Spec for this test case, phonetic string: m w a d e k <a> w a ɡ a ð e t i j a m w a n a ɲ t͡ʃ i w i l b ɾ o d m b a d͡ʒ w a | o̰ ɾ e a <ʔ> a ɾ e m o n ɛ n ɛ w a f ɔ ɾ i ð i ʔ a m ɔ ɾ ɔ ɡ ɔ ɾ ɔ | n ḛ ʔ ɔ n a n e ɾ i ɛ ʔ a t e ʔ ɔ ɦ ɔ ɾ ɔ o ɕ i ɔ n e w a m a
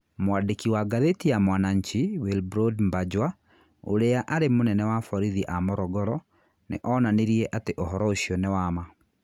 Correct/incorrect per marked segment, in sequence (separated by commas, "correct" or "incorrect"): incorrect, correct